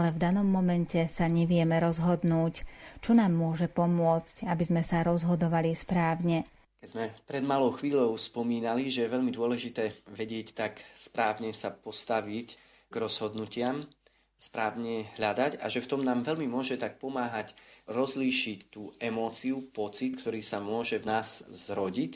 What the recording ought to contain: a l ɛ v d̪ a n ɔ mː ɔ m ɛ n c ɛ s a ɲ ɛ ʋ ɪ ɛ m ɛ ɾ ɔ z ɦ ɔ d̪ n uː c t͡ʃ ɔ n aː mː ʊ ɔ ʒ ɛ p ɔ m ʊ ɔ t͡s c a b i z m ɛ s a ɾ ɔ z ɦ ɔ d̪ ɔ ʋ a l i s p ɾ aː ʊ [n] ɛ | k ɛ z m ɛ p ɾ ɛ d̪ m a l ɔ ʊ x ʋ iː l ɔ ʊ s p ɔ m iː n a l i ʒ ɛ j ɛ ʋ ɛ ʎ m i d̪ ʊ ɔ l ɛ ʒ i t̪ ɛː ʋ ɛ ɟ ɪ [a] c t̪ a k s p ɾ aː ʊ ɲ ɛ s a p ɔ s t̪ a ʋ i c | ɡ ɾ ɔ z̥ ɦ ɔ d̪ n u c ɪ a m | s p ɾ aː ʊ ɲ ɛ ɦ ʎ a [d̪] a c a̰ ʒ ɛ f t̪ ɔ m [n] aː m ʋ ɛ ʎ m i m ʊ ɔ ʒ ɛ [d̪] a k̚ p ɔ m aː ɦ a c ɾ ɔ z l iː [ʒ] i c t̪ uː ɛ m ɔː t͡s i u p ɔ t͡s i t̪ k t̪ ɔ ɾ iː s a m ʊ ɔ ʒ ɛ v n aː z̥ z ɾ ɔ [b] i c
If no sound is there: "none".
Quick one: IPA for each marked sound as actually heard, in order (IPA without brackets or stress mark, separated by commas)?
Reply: ɲ, ɛ, d̪, n, t̪, ʃ, ɟ